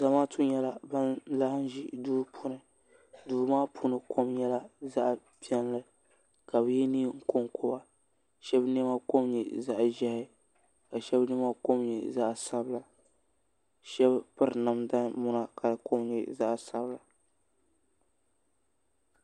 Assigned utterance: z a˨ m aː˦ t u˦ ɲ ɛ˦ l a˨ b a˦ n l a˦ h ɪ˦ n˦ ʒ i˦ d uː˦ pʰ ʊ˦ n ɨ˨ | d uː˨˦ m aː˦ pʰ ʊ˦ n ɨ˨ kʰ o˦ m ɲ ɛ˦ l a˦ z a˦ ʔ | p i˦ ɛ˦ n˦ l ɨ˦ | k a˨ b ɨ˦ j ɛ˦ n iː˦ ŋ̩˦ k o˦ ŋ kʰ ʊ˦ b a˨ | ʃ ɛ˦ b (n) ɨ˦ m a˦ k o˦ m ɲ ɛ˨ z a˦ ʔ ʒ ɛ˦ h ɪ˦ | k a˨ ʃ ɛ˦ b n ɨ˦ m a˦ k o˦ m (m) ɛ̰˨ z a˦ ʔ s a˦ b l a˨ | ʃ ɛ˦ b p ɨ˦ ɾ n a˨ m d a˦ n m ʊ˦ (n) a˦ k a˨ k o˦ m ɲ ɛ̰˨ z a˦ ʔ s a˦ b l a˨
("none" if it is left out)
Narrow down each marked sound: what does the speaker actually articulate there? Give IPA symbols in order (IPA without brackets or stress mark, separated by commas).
n, ɲ, n